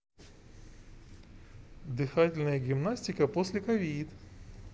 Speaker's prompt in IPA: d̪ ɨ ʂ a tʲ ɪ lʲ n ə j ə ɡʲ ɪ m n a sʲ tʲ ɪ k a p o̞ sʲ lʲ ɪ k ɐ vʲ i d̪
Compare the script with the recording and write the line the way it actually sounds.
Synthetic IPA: d̪ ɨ x a tʲ ɪ lʲ n ə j ə ɡʲ ɪ m n a sʲ tʲ ɪ k ə p o̞ sʲ lʲ ɪ k ɐ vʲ i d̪